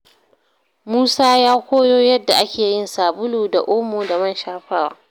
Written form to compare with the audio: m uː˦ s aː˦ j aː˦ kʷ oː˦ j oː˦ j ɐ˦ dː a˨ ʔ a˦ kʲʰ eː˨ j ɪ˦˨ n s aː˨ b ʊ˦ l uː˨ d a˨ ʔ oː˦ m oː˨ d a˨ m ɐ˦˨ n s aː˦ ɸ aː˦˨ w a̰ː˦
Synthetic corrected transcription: m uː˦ s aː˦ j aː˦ kʷ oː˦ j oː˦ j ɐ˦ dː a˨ ʔ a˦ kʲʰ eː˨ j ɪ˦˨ n s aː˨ b ʊ˦ l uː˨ d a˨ ʔ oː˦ m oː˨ d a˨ m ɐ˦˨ n ʃ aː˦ ɸ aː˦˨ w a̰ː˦